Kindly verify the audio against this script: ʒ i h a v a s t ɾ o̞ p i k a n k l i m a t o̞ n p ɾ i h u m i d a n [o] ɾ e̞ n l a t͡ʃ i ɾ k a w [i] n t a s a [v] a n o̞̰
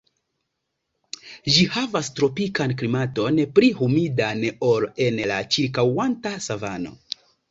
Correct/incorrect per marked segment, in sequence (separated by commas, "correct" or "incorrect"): correct, incorrect, correct